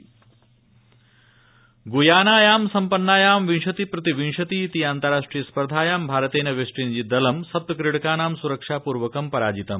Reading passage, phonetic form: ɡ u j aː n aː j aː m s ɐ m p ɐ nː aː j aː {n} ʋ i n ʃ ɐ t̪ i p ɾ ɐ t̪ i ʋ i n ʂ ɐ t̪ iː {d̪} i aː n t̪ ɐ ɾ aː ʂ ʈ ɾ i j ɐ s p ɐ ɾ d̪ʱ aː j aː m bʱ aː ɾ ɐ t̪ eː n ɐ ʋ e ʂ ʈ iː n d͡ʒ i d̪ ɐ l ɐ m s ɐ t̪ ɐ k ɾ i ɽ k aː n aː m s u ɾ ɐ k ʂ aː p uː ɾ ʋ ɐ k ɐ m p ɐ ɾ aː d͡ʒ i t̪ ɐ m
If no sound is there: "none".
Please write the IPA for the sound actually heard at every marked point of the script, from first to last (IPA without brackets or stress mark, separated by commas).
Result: m, t̪